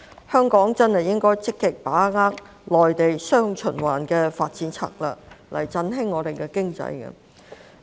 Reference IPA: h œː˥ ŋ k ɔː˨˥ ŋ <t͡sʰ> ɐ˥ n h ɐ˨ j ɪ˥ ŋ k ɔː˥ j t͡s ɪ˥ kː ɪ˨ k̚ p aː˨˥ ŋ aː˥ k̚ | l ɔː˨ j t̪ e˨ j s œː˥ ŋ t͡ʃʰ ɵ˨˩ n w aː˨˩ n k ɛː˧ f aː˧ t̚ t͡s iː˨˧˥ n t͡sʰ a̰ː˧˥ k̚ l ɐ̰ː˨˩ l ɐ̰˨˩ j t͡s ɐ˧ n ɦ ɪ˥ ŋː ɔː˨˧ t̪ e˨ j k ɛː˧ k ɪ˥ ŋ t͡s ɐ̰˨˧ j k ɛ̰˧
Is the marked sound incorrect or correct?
incorrect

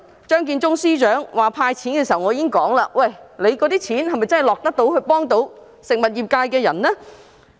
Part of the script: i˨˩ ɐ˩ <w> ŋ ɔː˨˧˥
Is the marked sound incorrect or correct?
correct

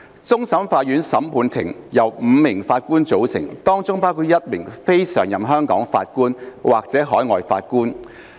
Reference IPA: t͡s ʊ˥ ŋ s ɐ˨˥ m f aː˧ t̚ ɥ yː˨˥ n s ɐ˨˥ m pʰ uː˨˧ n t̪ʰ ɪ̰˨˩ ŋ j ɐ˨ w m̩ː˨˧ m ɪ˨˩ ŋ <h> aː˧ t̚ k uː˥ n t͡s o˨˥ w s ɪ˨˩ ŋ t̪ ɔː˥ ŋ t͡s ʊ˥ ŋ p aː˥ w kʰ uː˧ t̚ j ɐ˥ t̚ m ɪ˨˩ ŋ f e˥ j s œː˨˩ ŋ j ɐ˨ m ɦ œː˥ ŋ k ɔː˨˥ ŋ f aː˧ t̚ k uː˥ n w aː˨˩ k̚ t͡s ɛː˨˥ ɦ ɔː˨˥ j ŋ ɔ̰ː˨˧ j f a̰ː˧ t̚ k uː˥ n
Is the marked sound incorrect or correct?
incorrect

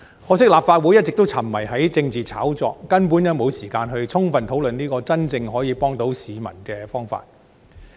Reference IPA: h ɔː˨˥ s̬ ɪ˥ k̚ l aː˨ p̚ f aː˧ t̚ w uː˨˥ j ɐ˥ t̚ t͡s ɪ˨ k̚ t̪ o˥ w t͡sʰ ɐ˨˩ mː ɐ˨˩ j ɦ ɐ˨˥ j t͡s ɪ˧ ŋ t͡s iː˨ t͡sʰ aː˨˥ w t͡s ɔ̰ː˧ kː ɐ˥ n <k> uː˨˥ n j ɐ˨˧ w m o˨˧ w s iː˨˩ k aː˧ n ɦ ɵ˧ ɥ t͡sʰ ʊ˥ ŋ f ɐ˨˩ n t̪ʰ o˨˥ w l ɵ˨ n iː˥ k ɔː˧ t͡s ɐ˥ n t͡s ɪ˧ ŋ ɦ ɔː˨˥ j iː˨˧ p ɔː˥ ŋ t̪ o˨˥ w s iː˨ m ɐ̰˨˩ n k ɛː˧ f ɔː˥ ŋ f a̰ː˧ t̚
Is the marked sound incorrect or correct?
incorrect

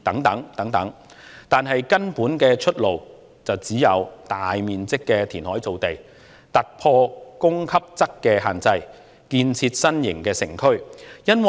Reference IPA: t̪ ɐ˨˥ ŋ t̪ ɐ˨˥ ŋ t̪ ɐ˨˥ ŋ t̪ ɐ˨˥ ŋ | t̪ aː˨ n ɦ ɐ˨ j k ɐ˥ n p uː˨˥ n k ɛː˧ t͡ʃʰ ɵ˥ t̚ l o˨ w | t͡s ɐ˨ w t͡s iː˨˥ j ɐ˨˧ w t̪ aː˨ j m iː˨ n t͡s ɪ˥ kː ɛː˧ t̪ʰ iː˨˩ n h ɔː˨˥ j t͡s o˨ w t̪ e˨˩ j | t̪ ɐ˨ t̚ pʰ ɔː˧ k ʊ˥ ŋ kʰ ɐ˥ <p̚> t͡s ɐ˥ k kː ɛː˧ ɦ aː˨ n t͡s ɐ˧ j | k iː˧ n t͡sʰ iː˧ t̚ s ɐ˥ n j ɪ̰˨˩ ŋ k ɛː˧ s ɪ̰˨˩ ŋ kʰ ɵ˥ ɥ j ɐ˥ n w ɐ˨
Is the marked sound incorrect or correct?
correct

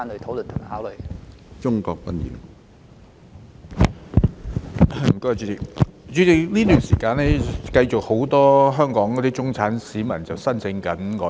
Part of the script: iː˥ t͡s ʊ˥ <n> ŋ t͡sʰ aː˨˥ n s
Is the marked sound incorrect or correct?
incorrect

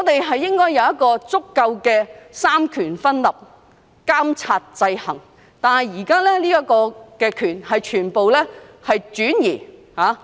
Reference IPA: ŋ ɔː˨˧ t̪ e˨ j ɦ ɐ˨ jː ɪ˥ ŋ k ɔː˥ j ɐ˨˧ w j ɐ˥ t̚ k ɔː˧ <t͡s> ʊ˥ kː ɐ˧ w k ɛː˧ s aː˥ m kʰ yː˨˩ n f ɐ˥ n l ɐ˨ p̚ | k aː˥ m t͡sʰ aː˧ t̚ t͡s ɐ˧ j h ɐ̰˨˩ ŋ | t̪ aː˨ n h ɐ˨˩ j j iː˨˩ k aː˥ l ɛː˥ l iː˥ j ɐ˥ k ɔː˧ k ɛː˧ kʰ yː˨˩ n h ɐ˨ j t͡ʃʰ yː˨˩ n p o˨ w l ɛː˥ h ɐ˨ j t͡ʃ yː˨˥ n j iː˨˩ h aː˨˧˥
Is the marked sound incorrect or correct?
correct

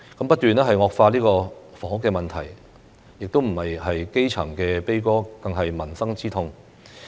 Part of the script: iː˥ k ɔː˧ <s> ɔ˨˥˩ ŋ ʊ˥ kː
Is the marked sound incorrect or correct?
incorrect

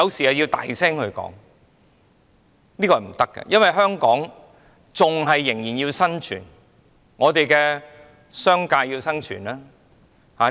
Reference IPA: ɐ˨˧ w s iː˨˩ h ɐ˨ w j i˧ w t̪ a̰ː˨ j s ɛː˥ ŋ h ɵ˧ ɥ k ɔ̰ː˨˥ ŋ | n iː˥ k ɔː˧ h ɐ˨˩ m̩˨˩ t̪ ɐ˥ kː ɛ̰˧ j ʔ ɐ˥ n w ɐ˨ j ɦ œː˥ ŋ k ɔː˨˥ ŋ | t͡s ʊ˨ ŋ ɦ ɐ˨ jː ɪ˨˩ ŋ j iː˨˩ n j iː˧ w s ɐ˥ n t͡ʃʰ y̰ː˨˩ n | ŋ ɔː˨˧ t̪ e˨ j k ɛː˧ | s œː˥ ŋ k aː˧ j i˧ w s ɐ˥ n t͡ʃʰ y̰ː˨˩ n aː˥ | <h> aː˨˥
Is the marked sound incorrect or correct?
correct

